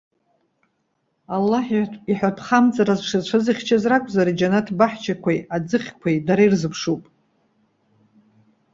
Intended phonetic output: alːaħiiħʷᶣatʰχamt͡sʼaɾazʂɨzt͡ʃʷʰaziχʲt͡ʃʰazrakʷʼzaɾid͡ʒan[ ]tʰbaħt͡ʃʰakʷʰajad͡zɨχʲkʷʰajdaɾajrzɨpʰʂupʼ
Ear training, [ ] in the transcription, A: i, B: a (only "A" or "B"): B